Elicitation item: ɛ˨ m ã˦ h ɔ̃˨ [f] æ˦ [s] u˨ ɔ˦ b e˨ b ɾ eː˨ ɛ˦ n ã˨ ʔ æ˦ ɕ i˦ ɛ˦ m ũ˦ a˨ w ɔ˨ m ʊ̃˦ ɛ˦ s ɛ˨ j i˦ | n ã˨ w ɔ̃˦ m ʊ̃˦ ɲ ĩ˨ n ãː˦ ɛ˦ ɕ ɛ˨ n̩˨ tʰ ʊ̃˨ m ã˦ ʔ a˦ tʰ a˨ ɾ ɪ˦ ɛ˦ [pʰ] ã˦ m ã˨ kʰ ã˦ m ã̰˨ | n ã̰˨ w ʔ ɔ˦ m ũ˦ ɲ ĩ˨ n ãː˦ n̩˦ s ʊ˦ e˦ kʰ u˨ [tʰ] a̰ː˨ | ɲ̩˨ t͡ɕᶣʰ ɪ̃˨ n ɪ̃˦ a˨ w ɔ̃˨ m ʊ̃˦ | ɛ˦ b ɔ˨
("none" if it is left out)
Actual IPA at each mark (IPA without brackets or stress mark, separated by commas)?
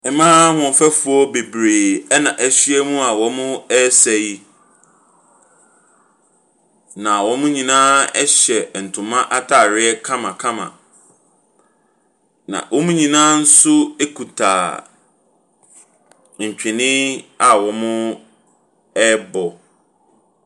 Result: f, f, kʰ, tʰ